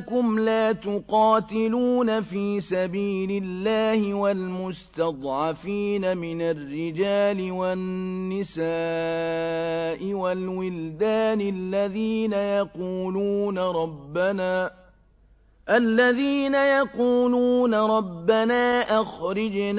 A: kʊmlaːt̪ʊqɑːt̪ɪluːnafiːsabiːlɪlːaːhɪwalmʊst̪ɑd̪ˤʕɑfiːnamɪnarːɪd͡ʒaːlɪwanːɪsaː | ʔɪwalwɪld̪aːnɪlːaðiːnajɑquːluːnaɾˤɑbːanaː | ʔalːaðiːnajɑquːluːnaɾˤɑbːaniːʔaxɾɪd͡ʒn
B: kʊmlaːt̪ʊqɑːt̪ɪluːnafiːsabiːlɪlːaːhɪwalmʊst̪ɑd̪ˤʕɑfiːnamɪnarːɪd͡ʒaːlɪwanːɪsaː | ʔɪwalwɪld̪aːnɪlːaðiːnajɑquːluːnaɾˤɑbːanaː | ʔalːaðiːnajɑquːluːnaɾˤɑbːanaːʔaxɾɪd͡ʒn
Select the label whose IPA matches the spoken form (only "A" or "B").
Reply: B